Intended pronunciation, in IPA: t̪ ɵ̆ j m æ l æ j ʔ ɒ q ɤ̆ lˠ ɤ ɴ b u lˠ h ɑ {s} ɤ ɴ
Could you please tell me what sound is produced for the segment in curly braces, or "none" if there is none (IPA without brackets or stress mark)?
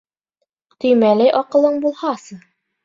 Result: s